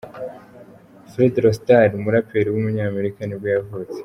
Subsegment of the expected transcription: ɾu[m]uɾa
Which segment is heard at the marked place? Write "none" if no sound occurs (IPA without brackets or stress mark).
m